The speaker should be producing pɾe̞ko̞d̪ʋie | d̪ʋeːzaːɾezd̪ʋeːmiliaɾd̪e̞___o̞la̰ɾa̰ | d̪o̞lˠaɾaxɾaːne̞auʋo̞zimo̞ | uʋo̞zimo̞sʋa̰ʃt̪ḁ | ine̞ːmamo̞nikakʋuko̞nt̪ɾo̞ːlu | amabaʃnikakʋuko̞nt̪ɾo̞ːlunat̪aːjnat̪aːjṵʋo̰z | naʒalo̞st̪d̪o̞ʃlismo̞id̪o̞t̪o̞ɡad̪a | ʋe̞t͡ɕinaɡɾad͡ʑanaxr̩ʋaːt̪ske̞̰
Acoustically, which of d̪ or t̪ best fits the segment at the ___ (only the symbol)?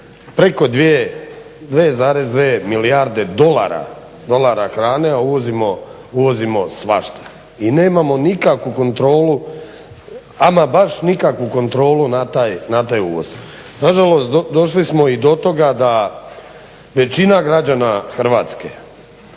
d̪